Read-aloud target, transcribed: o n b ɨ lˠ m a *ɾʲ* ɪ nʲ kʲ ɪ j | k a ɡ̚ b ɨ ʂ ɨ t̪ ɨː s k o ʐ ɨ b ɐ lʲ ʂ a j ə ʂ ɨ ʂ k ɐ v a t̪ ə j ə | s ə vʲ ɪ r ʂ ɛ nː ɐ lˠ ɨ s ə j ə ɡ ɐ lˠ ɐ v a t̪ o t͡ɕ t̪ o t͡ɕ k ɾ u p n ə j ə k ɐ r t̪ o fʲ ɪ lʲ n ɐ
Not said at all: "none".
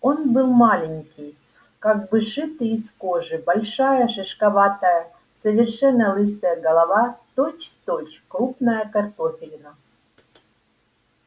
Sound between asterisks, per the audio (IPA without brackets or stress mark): lʲ